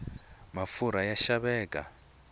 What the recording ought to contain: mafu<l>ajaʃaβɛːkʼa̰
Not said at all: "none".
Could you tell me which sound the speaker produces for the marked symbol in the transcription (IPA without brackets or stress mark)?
ɾ